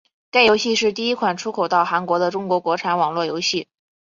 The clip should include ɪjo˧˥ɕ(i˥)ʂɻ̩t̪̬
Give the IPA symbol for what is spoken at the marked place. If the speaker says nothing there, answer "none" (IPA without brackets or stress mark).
i˥˧